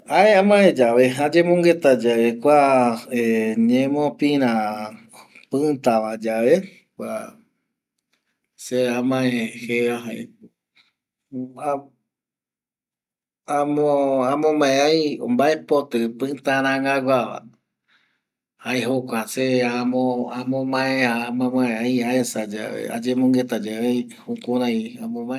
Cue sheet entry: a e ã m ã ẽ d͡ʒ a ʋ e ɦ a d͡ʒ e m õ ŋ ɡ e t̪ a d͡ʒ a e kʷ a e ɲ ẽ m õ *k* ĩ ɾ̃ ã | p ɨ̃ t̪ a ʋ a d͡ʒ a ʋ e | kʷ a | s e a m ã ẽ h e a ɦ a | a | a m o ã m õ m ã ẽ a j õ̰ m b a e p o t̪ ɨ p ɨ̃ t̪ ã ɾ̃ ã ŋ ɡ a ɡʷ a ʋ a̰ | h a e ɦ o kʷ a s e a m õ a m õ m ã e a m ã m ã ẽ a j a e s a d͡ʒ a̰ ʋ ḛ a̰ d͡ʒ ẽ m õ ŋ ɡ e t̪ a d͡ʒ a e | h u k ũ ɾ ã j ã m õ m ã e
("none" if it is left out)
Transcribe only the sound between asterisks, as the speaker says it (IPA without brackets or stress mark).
p